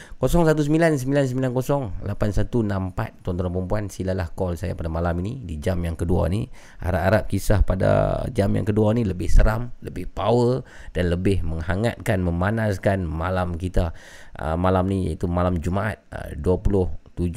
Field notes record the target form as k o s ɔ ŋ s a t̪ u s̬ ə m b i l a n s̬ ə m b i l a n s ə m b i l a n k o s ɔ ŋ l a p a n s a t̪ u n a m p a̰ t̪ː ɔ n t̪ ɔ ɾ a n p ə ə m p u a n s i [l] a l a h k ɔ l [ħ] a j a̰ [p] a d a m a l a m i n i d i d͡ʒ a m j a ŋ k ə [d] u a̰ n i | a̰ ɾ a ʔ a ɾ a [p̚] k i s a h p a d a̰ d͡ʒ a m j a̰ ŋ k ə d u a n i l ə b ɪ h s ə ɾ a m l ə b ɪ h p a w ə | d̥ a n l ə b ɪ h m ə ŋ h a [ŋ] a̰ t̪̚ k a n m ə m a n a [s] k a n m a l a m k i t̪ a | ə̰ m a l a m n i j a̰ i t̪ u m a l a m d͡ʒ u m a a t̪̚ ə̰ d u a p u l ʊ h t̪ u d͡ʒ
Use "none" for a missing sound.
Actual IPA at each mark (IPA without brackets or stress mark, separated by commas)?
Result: l, s, p, d, p̚, ŋ, s